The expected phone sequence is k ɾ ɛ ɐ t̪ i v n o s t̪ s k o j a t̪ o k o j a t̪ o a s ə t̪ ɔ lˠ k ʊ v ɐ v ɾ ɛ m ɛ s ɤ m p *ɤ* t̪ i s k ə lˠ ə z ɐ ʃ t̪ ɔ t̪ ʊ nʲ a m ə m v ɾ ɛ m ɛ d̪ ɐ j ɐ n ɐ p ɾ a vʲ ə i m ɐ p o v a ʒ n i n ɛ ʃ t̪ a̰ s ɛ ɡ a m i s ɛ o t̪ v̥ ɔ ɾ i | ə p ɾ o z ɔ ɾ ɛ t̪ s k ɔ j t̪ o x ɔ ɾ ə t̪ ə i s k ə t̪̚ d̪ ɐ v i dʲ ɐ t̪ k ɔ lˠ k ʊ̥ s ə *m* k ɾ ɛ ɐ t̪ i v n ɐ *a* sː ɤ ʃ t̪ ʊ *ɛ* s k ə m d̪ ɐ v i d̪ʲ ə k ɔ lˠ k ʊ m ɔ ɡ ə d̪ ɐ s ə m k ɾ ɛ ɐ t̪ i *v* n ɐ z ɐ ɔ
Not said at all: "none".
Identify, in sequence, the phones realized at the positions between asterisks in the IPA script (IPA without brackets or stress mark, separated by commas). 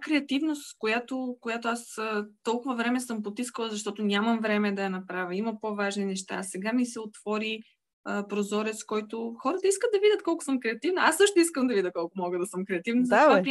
o, m, a, i, v